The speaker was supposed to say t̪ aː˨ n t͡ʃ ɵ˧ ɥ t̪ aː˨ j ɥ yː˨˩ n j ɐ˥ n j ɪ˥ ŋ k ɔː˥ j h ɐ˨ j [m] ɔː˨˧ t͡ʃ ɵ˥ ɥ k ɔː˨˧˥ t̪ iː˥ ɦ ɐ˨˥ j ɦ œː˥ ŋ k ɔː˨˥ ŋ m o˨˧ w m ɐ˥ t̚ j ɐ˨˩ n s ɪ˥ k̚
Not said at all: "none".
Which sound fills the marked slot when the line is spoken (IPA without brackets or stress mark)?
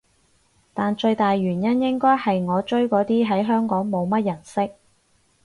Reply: ŋ